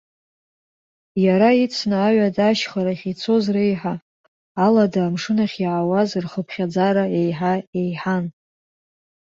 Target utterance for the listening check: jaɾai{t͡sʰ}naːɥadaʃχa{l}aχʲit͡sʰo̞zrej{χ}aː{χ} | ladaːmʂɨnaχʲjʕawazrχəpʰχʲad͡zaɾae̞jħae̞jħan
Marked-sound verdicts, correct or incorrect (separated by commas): correct, incorrect, incorrect, incorrect